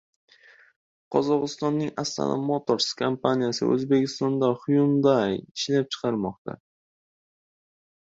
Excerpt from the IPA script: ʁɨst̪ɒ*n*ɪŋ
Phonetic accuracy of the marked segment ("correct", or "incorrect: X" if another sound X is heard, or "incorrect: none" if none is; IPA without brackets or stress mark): incorrect: nː